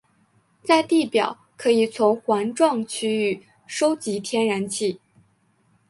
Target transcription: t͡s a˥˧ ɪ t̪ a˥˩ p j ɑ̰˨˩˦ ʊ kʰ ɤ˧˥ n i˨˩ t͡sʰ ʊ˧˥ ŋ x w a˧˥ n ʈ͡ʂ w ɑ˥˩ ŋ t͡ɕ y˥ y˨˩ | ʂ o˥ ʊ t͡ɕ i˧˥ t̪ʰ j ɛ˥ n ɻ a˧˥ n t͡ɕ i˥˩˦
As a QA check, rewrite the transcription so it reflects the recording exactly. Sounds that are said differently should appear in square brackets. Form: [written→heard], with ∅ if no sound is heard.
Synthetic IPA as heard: t͡s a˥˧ ɪ t̪ [a˥˩→i˥˩] p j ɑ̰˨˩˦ ʊ kʰ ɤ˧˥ [n→∅] i˨˩ t͡sʰ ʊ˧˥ ŋ x w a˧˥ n ʈ͡ʂ w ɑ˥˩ ŋ [t͡ɕ→t͡ɕʰ] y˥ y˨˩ | ʂ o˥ ʊ t͡ɕ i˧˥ t̪ʰ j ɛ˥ n ɻ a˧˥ n [t͡ɕ→t͡ɕʰ] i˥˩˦